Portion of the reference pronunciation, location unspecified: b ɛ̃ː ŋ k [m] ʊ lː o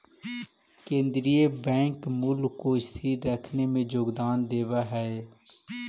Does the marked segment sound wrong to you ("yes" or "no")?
no